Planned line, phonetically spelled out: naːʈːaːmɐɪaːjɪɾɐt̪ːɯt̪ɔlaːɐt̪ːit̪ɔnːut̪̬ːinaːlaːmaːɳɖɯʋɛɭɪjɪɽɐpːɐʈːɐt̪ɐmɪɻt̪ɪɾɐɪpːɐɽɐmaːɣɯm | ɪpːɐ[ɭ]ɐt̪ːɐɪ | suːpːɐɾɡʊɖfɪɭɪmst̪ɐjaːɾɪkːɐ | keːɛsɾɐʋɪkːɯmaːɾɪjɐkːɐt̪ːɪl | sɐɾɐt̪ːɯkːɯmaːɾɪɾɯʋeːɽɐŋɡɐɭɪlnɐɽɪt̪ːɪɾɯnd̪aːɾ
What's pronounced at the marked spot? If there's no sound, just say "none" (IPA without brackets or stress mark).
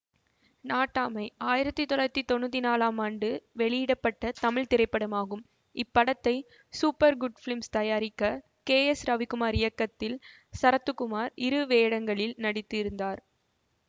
ɽ